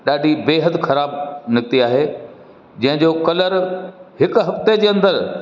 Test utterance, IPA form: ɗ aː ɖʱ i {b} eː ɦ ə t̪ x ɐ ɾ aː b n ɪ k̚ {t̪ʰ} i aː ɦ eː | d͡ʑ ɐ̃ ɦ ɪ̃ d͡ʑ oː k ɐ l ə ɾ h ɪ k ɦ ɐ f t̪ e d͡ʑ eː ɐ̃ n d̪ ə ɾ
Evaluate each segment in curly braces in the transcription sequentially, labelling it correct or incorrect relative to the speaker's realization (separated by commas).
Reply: correct, incorrect